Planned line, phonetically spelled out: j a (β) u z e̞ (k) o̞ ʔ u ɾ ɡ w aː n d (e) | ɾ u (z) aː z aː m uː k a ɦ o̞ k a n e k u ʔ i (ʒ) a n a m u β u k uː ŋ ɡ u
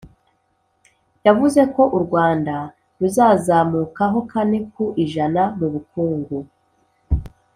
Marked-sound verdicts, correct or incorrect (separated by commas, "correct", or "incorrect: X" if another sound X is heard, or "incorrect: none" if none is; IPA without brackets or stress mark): incorrect: v, correct, incorrect: a, correct, correct